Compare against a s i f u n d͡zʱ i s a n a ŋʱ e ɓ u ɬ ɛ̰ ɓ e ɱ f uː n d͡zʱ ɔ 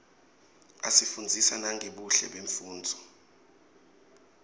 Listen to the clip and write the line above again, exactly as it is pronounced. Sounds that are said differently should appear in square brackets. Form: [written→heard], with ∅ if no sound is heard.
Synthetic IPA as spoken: a s i f u n d͡zʱ i s a n a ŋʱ e ɓ u ɬ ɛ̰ ɓ e ɱ f uː n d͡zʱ ɔ